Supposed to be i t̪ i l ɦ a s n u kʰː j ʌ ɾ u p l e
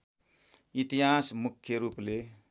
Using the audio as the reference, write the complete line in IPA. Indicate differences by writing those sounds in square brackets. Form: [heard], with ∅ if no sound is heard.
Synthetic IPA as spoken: i t̪ i [∅] ɦ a s [m] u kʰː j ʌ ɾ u p l e

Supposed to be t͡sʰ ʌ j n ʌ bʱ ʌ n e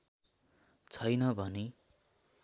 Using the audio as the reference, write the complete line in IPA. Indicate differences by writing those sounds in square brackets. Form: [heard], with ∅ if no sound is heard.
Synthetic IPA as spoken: t͡sʰ ʌ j n ʌ bʱ ʌ n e

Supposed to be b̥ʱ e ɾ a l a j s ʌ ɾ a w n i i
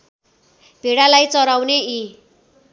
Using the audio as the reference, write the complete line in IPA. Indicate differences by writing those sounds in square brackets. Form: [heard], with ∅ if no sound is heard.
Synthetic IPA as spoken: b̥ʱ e [ɽ] a l a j [t͡s] ʌ ɾ a w n [e] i

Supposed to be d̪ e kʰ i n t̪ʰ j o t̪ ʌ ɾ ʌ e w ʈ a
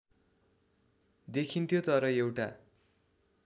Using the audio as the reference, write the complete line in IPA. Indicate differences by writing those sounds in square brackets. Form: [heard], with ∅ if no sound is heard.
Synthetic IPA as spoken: d̪ e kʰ i n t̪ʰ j o t̪ ʌ ɾ ʌ e w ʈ a

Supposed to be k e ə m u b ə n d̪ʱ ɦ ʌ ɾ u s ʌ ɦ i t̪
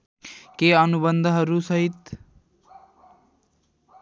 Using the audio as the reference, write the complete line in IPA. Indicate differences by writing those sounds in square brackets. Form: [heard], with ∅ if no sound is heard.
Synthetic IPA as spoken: k e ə [n] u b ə n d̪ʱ ɦ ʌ ɾ u s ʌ ɦ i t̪

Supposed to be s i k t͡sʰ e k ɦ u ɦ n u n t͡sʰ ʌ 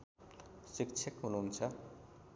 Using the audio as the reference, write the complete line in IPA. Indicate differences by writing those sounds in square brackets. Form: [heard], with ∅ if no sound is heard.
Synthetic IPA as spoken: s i k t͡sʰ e k ɦ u [∅] n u n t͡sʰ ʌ

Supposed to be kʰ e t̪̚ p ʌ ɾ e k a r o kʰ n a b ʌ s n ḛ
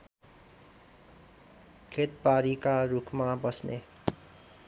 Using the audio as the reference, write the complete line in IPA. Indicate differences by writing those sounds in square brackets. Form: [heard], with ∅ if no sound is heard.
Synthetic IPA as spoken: kʰ e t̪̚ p [a] ɾ [i] k a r [u] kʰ [m] a b ʌ s n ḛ

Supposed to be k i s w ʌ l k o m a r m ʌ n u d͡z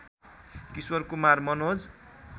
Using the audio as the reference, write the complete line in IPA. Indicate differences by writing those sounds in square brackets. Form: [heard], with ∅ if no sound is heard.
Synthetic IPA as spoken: k i s w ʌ [r] k [u] m a r m ʌ n [o] d͡z

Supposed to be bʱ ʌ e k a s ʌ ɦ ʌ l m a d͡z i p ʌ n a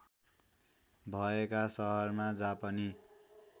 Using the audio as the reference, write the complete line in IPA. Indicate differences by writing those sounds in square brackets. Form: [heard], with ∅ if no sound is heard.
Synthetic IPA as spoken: bʱ ʌ e k a s ʌ ɦ ʌ [r] m a d͡z [a] p ʌ n [i]

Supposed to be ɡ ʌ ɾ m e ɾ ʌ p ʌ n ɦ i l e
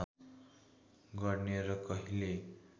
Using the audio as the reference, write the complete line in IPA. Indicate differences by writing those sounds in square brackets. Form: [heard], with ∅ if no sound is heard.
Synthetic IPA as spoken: ɡ ʌ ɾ [n] e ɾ ʌ [k] ʌ [∅] ɦ i l e

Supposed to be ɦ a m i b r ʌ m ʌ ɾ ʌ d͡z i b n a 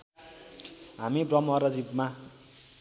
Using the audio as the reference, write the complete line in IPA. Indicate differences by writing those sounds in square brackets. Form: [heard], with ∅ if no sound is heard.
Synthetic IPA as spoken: ɦ a m i b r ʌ m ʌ ɾ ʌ d͡z i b [m] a

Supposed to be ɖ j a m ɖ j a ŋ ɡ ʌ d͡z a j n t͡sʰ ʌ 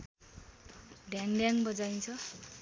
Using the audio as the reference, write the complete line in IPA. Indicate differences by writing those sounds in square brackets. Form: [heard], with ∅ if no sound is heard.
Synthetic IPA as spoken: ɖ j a [ŋ] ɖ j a ŋ [b] ʌ d͡z a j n t͡sʰ ʌ

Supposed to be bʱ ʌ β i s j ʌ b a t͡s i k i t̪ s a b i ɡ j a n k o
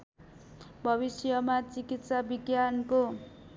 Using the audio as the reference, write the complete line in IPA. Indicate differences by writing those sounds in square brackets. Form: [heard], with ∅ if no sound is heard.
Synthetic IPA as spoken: bʱ ʌ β i s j ʌ [m] a t͡s i k i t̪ s a b i ɡ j a n k o

